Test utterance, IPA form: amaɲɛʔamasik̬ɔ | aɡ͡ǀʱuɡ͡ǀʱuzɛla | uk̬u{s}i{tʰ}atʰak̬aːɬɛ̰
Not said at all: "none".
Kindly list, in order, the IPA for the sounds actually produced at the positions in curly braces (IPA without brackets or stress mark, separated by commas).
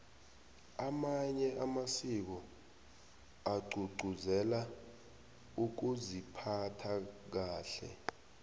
z, pʰ